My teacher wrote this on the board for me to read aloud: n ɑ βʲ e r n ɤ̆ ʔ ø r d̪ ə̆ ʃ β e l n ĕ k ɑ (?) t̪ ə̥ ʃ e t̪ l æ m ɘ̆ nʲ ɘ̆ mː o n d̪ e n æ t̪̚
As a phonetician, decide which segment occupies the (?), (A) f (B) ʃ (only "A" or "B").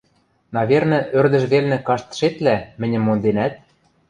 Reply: B